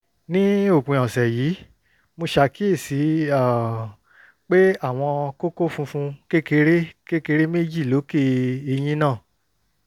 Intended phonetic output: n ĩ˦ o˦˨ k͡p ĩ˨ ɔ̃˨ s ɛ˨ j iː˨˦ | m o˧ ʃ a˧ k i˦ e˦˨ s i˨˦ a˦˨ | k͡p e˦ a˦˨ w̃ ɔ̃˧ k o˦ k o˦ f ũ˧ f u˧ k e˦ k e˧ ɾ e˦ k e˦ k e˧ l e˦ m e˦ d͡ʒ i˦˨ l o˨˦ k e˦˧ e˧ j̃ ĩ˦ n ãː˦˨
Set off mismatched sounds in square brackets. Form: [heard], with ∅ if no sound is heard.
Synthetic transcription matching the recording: n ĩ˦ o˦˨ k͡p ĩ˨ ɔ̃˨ s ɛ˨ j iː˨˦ | m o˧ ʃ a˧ k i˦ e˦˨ s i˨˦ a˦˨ | k͡p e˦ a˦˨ w̃ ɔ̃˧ k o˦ k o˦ f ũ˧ f [ũ˧] k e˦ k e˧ ɾ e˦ k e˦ k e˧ [ɾ] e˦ m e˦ d͡ʒ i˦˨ l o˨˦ k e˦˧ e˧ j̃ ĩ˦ n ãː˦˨